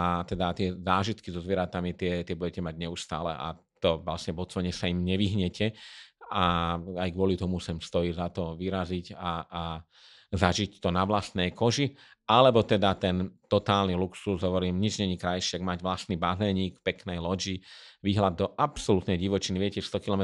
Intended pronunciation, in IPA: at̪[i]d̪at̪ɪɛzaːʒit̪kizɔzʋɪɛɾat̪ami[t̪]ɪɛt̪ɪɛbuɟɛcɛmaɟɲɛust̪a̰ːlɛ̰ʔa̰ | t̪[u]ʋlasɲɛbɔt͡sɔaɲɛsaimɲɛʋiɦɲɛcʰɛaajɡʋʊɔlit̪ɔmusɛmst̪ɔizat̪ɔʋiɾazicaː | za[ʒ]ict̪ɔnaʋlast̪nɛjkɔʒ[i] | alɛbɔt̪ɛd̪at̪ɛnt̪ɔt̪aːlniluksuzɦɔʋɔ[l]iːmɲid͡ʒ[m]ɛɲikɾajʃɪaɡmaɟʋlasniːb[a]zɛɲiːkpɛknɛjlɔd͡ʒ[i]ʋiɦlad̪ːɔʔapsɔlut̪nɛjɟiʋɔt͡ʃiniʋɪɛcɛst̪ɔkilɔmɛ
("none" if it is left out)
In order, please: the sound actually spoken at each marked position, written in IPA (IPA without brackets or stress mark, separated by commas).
ɛ, t̪, ɔ, ʒ, i, ɾ, ɲ, a, i